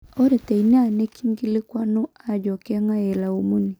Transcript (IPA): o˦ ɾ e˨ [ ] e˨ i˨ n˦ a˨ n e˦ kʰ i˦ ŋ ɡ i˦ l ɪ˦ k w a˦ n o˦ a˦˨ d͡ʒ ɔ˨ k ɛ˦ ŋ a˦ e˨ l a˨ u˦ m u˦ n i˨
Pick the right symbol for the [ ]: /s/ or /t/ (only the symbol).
t